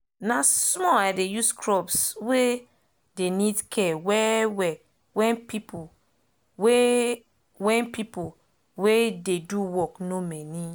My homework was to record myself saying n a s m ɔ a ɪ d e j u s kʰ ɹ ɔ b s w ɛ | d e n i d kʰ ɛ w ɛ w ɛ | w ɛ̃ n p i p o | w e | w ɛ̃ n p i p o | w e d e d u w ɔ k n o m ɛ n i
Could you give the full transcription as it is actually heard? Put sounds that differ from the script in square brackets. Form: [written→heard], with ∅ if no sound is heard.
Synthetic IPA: n a s m ɔ a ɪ d e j u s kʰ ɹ ɔ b s w [ɛ→e] | d e n i d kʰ ɛ w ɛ w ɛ | w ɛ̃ n p i p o | w e | w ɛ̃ n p i p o | w e d e d u w ɔ k n o m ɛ n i